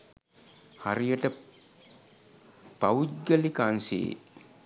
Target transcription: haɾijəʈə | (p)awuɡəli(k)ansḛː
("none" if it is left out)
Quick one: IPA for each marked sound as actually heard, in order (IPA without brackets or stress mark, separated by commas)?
p, k